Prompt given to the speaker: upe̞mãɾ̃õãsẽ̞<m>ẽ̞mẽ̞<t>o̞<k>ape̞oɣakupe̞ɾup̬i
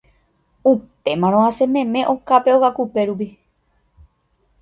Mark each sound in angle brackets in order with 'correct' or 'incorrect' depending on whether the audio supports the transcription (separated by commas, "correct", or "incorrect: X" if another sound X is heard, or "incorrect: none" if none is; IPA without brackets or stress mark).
correct, incorrect: ʔ, correct